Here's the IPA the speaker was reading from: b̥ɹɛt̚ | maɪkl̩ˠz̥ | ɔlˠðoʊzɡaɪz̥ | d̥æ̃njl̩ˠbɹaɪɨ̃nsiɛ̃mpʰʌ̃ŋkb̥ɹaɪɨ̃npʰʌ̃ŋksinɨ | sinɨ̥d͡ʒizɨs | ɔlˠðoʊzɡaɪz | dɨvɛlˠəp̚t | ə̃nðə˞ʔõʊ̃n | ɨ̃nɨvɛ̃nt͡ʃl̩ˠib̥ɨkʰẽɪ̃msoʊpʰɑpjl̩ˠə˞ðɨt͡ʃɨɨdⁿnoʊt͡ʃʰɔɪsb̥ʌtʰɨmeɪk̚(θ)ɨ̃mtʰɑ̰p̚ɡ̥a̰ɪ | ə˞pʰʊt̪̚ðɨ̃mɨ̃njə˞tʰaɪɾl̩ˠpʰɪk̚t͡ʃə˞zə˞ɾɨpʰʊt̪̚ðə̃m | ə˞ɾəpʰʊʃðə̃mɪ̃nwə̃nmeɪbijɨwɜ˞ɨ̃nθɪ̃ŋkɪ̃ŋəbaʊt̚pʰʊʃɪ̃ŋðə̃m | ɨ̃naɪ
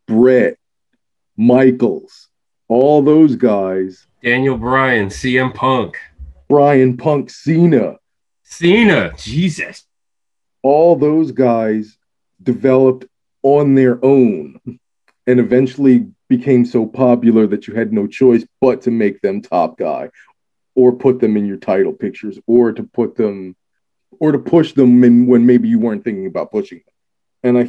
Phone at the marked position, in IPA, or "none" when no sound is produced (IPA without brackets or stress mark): ð